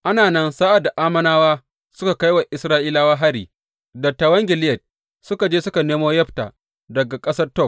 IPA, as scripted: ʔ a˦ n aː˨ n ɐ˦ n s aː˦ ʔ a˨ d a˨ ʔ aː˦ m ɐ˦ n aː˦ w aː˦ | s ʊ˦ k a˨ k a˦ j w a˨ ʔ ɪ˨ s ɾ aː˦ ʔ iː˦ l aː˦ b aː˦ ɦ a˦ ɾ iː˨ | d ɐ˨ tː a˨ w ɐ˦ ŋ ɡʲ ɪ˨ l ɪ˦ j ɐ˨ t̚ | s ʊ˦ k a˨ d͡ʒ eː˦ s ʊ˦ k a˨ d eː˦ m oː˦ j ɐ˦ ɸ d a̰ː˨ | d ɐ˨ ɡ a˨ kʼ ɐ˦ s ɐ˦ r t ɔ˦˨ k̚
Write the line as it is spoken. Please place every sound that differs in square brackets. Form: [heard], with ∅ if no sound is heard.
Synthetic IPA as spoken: ʔ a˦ n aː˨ n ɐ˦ n s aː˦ ʔ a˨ d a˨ ʔ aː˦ m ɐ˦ n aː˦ w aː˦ | s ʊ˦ k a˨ k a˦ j w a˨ ʔ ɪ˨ s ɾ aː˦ ʔ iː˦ l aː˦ [w] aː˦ ɦ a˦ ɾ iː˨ | d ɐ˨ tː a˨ w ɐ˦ ŋ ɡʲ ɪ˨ l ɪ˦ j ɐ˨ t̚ | s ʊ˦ k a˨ d͡ʒ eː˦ s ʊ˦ k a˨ [n] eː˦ m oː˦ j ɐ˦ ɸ [t] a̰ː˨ | d ɐ˨ ɡ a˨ kʼ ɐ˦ s ɐ˦ r t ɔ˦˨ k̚

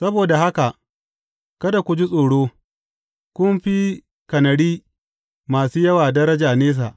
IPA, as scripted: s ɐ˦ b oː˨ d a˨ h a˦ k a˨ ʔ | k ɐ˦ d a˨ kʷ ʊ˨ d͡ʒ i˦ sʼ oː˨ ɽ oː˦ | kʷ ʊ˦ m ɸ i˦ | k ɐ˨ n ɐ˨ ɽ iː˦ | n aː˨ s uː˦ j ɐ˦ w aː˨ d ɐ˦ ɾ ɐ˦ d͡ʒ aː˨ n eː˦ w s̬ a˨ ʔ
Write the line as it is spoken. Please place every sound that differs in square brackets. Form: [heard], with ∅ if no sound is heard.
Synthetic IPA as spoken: s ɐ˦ b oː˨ d a˨ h a˦ k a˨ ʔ | k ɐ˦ d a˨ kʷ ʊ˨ d͡ʒ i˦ sʼ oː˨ ɽ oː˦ | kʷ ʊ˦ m ɸ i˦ | k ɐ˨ n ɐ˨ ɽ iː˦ | [m] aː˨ s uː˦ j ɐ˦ w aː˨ d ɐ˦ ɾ ɐ˦ d͡ʒ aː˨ n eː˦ [∅] s̬ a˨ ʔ

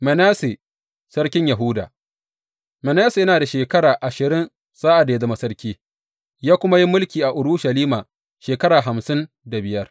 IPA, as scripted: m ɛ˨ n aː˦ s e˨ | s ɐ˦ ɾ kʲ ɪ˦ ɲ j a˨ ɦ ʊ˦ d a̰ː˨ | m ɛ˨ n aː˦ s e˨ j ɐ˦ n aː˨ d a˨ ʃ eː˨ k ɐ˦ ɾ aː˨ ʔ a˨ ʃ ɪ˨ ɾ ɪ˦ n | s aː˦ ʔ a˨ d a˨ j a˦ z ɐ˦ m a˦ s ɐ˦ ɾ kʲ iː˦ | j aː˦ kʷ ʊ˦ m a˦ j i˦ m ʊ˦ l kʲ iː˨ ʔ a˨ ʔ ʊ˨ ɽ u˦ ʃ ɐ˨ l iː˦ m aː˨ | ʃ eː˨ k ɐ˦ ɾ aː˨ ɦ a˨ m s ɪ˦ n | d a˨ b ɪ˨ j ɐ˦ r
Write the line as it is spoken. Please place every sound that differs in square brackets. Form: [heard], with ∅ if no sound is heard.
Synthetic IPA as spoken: m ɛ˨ n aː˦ s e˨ | s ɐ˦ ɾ kʲ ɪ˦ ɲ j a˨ ɦ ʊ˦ d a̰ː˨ | m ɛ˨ n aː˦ s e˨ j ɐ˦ n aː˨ d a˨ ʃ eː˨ k ɐ˦ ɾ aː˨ ʔ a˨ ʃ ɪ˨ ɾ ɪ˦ n | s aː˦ ʔ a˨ d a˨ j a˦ z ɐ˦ m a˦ s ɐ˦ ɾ kʲ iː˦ | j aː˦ kʷ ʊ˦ m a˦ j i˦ m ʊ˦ l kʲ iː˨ ʔ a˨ ʔ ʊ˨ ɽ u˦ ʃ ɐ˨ l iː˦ m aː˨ | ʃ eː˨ k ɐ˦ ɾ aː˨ ɦ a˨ m s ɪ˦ n | d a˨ b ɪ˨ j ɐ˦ r

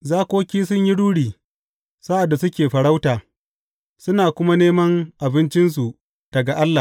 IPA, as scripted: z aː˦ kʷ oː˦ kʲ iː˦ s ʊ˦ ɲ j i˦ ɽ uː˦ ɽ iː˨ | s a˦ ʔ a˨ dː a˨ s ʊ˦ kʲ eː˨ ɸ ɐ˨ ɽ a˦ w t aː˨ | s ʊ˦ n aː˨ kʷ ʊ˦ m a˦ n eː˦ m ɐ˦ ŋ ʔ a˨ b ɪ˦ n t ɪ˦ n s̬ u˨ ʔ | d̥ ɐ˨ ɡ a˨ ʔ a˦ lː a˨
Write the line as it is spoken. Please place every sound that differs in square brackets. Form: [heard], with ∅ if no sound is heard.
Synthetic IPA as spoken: z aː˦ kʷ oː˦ kʲ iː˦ s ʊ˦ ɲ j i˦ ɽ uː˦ ɽ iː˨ | s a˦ ʔ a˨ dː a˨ s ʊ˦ kʲ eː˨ ɸ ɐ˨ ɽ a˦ w t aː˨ | s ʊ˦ n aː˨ kʷ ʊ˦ m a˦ n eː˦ m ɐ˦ ŋ ʔ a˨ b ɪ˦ n [t͡ʃ] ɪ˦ n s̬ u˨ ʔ | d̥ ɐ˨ ɡ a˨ ʔ a˦ lː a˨

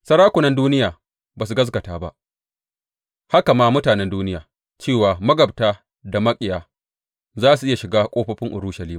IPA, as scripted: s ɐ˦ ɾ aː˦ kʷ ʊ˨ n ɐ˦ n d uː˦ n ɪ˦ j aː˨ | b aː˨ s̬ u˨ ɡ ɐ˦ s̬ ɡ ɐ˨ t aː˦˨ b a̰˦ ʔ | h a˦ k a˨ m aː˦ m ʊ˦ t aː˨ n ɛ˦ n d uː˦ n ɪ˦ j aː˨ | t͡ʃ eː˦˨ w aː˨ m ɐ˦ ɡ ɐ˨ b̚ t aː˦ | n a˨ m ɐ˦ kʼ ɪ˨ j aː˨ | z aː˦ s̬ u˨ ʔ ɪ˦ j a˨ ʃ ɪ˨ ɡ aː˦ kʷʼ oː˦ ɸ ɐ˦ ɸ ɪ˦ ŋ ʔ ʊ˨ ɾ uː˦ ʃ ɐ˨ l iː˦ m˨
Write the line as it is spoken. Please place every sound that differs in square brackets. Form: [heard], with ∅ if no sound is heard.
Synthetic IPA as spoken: s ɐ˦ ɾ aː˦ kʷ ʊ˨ n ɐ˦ n d uː˦ n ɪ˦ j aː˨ | b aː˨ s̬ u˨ ɡ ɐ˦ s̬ ɡ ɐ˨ t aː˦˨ b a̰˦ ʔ | h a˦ k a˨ m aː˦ m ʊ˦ t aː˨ n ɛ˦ n d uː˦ n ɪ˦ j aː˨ | t͡ʃ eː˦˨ w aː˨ m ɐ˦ ɡ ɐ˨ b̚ t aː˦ | [d] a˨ m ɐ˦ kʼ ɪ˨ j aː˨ | z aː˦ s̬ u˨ ʔ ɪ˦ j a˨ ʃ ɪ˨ ɡ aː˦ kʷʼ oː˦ ɸ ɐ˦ ɸ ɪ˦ ŋ ʔ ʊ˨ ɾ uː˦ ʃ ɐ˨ l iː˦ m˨

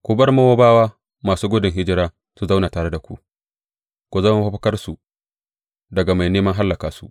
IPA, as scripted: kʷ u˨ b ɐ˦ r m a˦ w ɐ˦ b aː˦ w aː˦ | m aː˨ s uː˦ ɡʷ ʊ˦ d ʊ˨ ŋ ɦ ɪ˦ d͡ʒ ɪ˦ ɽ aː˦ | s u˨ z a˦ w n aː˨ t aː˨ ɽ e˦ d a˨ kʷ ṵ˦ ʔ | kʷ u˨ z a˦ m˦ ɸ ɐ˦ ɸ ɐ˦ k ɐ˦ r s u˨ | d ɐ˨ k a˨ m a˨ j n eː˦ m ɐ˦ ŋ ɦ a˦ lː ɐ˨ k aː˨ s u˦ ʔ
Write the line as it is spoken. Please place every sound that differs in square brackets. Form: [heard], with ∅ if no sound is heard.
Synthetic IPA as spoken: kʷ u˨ b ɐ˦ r m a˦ w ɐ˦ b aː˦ w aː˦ | m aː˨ s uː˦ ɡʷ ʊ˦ d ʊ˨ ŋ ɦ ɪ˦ d͡ʒ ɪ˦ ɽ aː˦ | s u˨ z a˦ w n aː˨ t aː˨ ɽ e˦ d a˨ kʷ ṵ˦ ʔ | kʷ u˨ z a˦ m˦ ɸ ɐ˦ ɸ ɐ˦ k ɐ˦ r s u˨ | d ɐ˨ [ɡ] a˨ m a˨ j n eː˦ m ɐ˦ ŋ ɦ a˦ lː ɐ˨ k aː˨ s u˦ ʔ

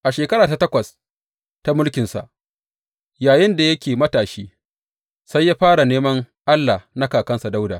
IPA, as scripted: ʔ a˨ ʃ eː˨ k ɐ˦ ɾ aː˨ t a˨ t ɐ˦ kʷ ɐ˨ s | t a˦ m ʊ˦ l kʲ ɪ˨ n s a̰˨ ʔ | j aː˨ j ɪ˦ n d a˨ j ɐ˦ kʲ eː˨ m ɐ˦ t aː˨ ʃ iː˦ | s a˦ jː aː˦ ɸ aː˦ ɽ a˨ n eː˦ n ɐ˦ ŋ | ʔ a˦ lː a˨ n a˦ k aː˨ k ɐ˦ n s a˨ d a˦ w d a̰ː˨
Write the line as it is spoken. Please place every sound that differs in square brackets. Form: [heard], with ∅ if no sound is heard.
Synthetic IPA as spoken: ʔ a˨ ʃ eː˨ k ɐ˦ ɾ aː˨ t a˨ t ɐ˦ kʷ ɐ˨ s | t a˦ m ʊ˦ l kʲ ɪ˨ n s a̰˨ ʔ | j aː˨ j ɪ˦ n d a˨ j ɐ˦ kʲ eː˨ m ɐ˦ t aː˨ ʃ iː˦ | s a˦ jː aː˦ ɸ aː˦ ɽ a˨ n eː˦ [m] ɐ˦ ŋ | ʔ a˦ lː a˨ n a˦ k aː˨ k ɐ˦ n s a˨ d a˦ w d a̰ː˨

